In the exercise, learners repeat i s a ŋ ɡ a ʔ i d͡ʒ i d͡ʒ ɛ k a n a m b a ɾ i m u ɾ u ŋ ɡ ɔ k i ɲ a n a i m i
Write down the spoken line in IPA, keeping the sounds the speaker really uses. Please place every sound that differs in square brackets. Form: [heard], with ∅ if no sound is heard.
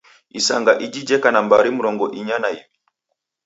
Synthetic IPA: i s a ŋ ɡ a ʔ i d͡ʒ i d͡ʒ ɛ k a n a m b a ɾ i m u ɾ [ɔ] ŋ ɡ ɔ [ʔ] i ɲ a n a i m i

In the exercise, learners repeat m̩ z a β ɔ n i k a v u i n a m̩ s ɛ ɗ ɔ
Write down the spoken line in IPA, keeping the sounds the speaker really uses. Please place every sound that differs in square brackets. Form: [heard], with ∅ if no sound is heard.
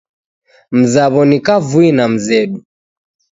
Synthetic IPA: m̩ z a β ɔ n i k a v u i n a m̩ [z] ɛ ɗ [u]

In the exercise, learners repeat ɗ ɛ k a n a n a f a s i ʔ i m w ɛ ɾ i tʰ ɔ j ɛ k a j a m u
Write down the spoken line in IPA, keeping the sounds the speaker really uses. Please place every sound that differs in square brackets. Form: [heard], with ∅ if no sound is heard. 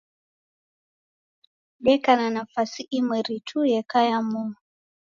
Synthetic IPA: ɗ ɛ k a n a n a f a s i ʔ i m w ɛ ɾ i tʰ [u] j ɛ k a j a m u

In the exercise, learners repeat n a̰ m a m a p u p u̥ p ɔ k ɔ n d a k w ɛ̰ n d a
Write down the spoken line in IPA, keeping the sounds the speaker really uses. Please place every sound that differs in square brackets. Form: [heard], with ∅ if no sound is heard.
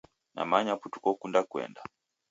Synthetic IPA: n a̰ m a [ɲ] a p u [t] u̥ [k] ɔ k [u] n d a k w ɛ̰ n d a

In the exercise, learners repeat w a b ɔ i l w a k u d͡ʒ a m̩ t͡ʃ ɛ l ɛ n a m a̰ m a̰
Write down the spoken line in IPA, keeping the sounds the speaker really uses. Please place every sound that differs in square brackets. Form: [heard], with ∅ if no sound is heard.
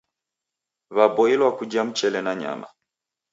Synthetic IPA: [β] a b ɔ i l w a k u d͡ʒ a m̩ t͡ʃ ɛ l ɛ n a [ɲ] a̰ m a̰

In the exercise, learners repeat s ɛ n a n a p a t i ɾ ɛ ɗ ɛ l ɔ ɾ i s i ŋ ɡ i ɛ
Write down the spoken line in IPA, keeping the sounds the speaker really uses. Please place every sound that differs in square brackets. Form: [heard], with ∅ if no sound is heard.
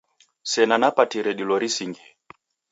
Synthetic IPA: s ɛ n a n a p a t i ɾ ɛ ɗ [i] l ɔ ɾ i s i ŋ ɡ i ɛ

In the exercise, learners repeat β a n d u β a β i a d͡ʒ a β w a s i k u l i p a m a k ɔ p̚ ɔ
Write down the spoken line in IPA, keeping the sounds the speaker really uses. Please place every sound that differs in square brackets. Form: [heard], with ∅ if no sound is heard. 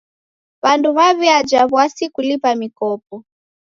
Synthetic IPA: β a n d u β a β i a d͡ʒ a β w a s i k u l i p a m [i] k ɔ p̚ ɔ

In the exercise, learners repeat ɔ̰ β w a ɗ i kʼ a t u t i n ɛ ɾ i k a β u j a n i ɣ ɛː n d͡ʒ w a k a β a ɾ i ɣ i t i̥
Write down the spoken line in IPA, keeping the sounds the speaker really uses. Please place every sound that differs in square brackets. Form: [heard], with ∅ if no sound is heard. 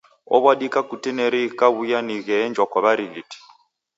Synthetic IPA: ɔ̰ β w a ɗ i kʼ a [k] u t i n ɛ ɾ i k a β u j a n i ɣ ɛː n d͡ʒ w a k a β a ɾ i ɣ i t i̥

